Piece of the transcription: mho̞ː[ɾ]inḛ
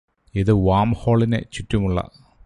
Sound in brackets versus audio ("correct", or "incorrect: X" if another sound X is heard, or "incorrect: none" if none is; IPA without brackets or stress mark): incorrect: ɭ